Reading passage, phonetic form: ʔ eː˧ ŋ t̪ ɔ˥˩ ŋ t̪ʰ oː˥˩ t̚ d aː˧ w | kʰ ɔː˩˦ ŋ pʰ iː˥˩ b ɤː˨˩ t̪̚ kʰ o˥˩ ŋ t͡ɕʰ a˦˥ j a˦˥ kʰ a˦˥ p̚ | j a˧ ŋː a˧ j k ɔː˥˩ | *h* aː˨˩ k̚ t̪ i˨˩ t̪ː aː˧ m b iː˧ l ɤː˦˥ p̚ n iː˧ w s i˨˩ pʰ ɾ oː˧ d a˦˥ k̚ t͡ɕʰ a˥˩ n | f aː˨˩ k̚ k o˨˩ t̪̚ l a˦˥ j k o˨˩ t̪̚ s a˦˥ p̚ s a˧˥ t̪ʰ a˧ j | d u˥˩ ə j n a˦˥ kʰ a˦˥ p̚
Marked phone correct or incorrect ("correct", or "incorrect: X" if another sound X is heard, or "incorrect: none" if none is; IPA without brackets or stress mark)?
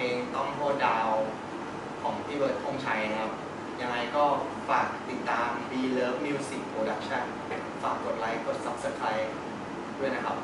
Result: incorrect: f